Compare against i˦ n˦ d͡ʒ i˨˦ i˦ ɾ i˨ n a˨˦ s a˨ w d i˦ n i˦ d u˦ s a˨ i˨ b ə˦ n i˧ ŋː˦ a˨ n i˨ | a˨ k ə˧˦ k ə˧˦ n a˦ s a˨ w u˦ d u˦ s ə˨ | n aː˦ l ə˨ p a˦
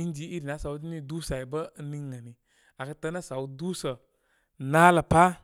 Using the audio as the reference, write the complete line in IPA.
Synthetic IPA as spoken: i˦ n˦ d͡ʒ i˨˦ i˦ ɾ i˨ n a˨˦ s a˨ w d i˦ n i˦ d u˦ s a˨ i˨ b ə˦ n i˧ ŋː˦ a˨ n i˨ | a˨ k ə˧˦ t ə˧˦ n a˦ s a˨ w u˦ d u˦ s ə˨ | n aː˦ l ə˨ p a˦